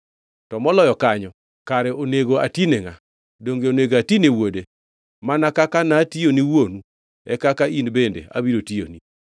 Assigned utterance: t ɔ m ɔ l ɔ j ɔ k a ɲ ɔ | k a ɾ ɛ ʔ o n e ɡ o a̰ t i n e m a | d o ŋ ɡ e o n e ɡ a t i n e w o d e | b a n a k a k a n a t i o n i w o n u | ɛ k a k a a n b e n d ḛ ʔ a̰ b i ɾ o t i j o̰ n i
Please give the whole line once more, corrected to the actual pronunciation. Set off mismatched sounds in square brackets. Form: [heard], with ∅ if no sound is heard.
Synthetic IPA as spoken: t ɔ m ɔ l ɔ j ɔ k a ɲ ɔ | k a ɾ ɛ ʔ o n e ɡ o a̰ t i n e [ŋ] a | d o ŋ ɡ e o n e ɡ a t i n e w o d e | [m] a n a k a k a n a t i o n i w o n u | ɛ k a k a [i] n b e n d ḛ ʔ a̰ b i ɾ o t i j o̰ n i